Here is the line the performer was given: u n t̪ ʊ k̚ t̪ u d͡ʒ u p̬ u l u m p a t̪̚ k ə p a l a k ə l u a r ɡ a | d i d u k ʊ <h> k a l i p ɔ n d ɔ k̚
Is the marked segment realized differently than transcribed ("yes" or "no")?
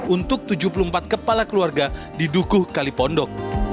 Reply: no